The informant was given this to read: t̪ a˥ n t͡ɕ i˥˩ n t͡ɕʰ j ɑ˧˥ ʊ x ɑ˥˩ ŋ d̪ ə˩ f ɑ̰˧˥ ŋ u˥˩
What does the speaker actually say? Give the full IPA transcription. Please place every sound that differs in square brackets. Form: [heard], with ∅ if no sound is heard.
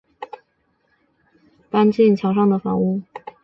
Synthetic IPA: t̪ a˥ n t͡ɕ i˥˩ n t͡ɕʰ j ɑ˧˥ ʊ [ʂ] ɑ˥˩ ŋ d̪ ə˩ f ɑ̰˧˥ ŋ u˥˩